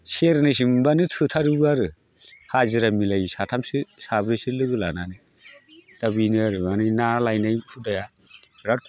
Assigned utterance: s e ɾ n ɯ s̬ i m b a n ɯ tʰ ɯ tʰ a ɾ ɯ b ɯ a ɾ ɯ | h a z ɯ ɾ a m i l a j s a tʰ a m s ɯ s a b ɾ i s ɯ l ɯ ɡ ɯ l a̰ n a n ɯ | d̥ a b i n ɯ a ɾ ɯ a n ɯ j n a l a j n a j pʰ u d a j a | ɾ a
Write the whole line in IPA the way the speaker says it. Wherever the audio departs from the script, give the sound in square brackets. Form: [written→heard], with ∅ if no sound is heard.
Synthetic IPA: s e ɾ n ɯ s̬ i m b a n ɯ tʰ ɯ tʰ a ɾ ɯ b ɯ a ɾ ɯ | h a z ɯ ɾ a m i l a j s a tʰ a m s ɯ s a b ɾ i s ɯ l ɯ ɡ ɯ l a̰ n a n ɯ | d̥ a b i n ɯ a ɾ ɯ a n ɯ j n a l a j n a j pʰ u d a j a | ɾ a